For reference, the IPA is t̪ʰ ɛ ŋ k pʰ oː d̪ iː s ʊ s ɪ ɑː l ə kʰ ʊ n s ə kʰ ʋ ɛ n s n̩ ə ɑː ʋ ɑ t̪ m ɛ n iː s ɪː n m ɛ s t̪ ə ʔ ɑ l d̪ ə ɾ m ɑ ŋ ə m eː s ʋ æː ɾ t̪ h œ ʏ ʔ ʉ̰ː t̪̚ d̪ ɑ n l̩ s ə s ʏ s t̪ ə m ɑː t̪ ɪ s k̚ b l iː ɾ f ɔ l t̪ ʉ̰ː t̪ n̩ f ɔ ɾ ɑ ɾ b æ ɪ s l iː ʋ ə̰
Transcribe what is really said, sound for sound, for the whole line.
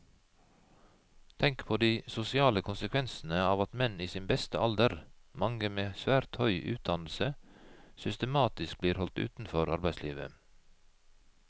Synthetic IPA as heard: t̪ʰ ɛ ŋ k pʰ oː d̪ iː s ʊ s ɪ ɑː l ə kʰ ʊ n s ə kʰ ʋ ɛ n s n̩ ə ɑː ʋ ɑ t̪ m ɛ n iː s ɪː n b ɛ s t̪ ə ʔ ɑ l d̪ ə ɾ m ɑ ŋ ə m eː s ʋ æː ɾ t̪ h œ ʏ ʔ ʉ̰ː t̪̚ d̪ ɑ n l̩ s ə s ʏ s t̪ ə m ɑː t̪ ɪ s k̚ b l iː ɾ h ɔ l t̪ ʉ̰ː t̪ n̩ f ɔ ɾ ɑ ɾ b æ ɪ s l iː ʋ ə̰